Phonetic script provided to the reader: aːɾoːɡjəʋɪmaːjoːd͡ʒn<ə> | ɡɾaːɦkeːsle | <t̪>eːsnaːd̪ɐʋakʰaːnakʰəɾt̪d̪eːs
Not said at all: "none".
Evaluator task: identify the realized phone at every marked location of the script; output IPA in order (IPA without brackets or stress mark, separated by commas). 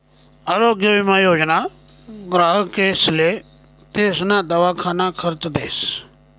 a, t̪